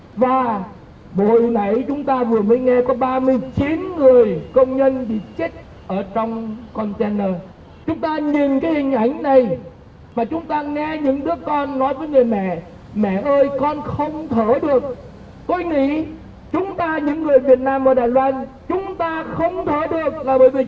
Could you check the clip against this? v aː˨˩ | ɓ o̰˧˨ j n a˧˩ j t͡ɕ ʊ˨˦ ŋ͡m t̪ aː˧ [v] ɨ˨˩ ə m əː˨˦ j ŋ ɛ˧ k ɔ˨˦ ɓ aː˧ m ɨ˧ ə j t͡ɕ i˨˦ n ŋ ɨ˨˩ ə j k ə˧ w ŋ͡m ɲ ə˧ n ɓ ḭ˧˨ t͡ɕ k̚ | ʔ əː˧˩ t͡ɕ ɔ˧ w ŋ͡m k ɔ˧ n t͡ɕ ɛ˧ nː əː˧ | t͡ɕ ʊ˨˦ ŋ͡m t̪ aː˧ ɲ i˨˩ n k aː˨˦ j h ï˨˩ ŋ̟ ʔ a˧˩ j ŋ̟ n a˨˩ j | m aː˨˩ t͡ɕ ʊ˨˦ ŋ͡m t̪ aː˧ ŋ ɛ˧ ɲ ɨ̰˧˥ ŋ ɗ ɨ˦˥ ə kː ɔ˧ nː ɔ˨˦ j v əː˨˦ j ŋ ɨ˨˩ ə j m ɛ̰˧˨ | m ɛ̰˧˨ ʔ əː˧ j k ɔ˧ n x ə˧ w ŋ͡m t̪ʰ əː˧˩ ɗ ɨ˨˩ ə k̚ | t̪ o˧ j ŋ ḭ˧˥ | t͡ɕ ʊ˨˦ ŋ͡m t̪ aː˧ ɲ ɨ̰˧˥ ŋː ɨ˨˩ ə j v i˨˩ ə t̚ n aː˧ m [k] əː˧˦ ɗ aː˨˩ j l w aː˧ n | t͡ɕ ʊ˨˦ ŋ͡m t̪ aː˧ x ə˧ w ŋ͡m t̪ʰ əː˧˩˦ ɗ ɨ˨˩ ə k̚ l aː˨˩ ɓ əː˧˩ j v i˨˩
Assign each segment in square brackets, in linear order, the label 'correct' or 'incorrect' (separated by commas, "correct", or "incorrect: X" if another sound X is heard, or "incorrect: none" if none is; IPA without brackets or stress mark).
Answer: correct, incorrect: ʔ